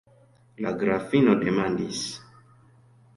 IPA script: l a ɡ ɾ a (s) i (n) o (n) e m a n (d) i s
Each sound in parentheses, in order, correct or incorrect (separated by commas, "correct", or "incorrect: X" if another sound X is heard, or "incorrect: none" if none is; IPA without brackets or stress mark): incorrect: f, correct, incorrect: d, correct